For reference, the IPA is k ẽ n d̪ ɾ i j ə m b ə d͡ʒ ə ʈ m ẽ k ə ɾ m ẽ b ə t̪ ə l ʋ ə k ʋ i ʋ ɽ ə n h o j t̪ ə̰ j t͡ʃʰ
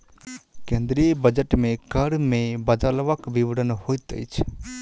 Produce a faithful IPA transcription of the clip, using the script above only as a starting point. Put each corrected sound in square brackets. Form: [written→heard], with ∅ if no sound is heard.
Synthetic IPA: k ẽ n d̪ ɾ i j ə [m→∅] b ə d͡ʒ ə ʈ m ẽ k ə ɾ m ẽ b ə [t̪→d̪] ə l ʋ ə k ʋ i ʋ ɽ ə n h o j t̪ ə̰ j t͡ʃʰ